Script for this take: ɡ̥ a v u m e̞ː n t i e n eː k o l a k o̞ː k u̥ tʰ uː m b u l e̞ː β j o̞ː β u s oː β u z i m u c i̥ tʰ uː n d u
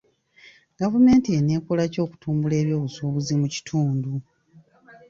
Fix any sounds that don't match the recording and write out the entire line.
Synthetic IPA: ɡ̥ a v u m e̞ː n t i e n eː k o l a c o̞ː k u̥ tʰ uː m b u l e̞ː β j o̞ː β u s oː β u z i m u c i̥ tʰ uː n d u